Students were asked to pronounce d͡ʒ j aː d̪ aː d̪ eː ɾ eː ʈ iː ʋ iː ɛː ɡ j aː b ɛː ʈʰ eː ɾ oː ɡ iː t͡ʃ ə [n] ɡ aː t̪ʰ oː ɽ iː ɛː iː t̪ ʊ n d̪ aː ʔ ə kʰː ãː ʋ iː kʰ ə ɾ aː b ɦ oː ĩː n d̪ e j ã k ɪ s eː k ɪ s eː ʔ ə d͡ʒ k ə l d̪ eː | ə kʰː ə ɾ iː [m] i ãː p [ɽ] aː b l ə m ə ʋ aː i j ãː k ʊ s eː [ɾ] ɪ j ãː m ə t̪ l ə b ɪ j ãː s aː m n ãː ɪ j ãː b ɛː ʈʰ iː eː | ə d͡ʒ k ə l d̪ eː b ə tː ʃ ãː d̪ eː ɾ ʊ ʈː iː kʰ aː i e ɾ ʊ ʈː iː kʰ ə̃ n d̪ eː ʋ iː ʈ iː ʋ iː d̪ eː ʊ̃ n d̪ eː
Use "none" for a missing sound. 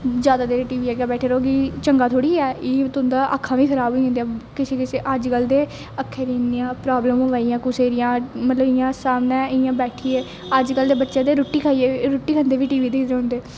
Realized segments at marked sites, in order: ŋ, n, ɾ, ɾ

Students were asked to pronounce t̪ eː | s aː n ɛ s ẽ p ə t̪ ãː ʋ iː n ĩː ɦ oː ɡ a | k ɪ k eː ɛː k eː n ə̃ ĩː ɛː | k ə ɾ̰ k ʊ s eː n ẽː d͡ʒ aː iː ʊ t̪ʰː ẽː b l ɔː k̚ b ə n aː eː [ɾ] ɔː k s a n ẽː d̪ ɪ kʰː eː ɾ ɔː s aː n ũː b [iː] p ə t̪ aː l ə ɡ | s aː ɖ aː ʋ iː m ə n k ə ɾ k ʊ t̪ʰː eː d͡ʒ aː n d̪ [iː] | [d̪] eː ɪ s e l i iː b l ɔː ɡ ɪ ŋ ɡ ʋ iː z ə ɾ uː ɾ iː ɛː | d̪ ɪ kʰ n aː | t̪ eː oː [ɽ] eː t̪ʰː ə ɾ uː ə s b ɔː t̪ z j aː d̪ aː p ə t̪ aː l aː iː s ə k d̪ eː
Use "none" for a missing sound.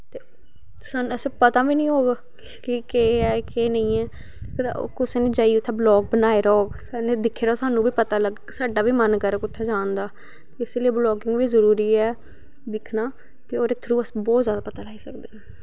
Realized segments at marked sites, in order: ɾ, iː, aː, t̪, ɾ

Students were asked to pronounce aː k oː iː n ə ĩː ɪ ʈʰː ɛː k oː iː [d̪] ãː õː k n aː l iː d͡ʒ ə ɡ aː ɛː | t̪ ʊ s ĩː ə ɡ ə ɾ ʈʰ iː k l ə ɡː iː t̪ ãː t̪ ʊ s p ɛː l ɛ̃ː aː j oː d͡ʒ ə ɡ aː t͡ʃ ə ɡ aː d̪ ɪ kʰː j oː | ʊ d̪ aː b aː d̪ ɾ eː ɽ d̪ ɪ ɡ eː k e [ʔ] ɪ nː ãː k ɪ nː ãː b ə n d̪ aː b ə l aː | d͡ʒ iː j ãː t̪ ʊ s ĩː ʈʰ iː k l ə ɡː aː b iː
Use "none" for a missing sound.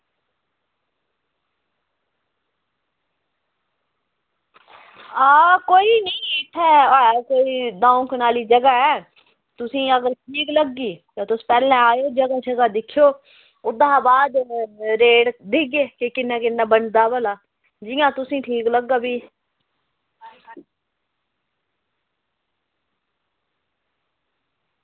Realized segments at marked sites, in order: d̪, k

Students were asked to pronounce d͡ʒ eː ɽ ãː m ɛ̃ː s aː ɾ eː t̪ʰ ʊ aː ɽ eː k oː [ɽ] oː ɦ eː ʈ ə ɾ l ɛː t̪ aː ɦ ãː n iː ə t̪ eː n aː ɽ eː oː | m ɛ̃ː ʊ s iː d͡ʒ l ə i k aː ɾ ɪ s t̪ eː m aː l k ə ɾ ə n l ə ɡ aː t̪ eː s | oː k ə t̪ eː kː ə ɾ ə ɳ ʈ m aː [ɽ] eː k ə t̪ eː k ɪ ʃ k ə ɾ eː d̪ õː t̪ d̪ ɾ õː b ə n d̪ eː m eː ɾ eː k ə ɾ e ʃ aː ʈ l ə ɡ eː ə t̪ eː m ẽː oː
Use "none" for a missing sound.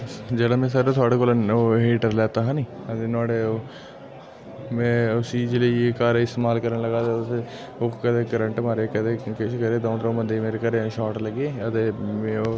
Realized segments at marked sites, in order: l, ɾ

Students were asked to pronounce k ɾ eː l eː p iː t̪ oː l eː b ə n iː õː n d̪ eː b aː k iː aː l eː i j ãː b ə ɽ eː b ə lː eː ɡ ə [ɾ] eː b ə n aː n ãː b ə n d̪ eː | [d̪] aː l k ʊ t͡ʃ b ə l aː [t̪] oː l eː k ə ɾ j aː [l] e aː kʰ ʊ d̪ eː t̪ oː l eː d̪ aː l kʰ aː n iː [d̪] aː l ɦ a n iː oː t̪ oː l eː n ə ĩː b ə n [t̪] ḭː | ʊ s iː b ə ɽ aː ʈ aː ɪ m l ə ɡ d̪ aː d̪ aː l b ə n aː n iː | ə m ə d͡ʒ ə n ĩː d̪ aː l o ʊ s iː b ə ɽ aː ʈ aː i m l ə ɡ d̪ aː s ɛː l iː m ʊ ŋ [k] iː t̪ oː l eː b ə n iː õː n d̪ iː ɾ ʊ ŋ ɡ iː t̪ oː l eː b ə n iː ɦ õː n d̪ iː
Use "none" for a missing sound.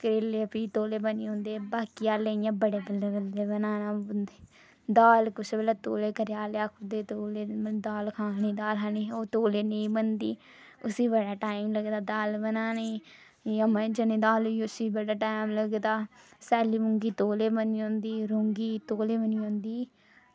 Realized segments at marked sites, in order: l, d̪, t̪, l, d̪, d̪, ɡ

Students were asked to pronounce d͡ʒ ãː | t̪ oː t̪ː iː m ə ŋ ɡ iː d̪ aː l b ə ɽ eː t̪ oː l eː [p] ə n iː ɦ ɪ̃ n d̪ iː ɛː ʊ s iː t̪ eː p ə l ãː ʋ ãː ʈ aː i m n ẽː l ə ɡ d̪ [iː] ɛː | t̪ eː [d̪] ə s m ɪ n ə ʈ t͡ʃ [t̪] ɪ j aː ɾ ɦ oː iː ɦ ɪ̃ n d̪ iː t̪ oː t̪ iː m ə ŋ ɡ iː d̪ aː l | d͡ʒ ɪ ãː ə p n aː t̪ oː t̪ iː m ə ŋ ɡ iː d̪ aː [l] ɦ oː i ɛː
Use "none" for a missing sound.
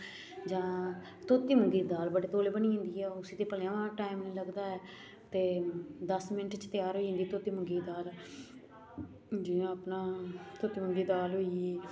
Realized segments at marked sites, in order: b, aː, d̪, t̪, l

